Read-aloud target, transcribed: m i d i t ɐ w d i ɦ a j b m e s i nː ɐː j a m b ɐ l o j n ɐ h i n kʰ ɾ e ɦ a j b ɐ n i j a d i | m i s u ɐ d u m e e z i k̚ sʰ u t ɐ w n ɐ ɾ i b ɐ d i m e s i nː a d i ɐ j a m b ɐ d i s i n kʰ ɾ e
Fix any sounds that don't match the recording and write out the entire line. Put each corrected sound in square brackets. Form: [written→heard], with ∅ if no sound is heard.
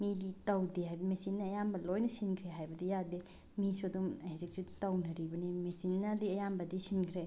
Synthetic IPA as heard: m i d i t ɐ w d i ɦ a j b m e s i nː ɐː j a m b ɐ l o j n ɐ [h→s] i n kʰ ɾ e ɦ a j b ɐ [n→d] i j a d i | m i s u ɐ d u m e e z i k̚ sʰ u t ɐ w n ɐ ɾ i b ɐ [d→n] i m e s i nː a d i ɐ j a m b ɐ d i s i n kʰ ɾ e